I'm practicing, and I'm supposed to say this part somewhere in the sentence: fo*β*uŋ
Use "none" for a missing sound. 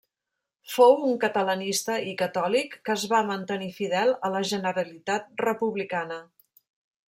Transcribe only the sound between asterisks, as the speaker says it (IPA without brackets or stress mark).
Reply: w